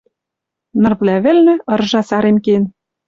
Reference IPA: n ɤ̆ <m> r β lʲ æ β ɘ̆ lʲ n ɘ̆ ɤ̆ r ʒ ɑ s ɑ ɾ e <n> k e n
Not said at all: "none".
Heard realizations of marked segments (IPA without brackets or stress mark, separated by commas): none, m